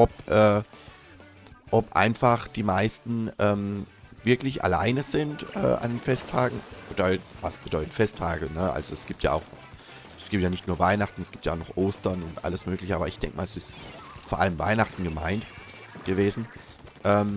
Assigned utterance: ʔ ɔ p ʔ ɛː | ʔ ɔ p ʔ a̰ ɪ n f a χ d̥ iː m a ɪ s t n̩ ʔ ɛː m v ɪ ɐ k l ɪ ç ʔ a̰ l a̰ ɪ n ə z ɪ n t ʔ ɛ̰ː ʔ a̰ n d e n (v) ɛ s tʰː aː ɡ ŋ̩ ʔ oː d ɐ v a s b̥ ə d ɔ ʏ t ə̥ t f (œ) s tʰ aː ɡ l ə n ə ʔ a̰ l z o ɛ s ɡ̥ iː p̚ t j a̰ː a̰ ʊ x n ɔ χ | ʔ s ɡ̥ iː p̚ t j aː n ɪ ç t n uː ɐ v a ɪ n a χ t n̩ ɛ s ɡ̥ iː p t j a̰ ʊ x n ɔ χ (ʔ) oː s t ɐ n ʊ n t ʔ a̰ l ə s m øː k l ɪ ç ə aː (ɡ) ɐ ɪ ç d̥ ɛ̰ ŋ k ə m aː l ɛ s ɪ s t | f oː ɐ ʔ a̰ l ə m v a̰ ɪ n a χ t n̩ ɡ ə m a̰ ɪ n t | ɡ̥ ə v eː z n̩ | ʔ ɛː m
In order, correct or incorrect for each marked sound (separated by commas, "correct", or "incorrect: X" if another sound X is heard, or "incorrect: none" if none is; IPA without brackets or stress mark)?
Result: incorrect: f, incorrect: ɛ, correct, incorrect: b